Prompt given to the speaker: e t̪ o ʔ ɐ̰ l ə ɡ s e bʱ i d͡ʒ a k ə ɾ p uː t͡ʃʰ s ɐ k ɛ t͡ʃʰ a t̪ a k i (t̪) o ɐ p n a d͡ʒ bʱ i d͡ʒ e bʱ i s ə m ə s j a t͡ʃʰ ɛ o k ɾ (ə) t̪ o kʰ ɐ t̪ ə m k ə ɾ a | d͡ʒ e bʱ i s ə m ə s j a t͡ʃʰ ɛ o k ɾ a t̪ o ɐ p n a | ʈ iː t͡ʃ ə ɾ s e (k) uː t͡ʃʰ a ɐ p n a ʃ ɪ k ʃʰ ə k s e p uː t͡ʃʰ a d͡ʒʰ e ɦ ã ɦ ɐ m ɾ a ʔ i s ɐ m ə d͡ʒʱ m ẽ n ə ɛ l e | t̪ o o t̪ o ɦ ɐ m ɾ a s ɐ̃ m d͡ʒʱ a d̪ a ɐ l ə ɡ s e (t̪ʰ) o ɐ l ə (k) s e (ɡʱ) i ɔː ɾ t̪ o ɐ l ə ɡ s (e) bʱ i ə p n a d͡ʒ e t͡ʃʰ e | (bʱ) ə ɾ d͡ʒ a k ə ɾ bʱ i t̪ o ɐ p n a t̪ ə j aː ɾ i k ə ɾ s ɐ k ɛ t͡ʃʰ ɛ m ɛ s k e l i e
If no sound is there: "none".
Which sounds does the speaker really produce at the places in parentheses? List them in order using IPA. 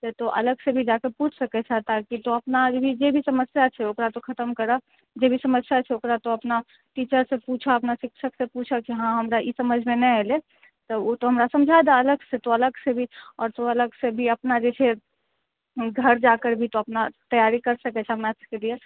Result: t̪, a, p, t̪, ɡ, bʱ, e, ɡʱ

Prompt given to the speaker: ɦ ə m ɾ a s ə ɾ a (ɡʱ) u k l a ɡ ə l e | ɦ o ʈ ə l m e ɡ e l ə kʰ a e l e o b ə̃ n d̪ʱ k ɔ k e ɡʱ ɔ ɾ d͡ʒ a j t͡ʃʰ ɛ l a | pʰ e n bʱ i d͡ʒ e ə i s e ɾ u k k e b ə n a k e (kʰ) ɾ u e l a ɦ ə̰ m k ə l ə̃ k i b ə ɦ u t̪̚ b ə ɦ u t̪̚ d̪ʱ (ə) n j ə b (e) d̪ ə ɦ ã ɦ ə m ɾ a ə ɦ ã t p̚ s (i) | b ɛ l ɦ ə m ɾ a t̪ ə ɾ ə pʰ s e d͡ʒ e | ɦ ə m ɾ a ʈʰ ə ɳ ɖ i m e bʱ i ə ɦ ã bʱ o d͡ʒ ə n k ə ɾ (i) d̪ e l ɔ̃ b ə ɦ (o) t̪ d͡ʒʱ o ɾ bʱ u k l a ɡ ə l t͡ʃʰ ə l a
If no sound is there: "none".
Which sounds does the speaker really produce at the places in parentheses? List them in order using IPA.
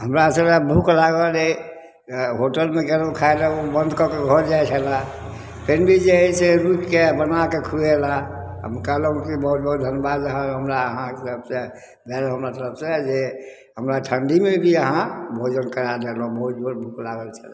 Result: bʱ, kʰ, ə, a, e, a, u

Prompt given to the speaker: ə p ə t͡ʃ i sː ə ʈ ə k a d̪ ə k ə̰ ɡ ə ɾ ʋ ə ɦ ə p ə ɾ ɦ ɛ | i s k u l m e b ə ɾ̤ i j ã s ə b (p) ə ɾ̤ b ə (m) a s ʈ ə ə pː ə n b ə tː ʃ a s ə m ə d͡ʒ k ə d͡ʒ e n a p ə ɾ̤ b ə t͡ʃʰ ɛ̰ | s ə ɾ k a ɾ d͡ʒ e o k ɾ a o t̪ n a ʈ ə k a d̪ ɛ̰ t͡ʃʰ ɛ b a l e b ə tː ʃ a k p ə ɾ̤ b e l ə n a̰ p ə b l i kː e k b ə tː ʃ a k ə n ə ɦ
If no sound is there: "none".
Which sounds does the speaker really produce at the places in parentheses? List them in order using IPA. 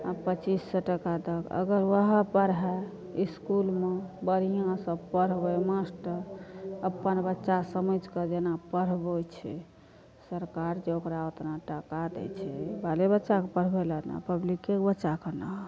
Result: p, m

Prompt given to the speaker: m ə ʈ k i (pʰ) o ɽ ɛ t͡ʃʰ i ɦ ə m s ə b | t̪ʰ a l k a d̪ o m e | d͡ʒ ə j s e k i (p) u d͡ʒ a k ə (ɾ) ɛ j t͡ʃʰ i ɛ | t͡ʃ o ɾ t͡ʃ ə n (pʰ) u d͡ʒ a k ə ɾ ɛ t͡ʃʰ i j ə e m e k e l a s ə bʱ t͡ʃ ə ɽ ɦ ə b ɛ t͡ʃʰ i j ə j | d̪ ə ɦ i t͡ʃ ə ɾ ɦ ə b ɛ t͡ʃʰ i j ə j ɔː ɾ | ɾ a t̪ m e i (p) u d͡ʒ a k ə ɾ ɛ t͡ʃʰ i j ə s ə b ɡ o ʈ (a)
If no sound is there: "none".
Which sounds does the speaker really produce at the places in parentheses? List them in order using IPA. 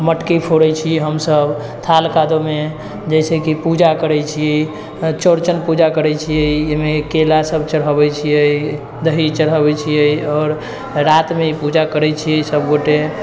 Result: pʰ, p, ɾ, p, p, e

